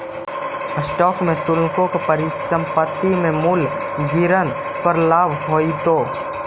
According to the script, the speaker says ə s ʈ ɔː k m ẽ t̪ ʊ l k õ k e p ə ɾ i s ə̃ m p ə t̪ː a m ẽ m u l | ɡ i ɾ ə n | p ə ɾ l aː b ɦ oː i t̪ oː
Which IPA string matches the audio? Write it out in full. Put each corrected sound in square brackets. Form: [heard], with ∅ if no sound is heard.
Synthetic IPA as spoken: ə s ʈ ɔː k m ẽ t̪ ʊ l k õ k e p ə ɾ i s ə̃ m p ə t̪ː [i] m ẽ m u l | ɡ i ɾ ə n | p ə ɾ l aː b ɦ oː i t̪ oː